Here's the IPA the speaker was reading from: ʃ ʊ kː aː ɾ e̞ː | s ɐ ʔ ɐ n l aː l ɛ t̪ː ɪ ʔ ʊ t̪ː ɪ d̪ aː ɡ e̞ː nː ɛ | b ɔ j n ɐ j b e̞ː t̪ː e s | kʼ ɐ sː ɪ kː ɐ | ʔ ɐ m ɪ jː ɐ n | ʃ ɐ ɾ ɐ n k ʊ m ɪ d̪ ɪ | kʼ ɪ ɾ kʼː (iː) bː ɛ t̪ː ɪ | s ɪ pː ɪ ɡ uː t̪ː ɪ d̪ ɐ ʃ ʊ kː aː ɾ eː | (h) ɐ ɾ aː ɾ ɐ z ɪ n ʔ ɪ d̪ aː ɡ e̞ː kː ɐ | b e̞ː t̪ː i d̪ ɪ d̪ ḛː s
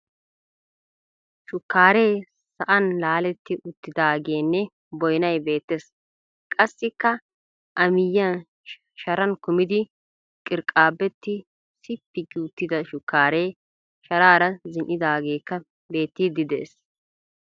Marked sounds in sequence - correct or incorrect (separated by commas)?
incorrect, incorrect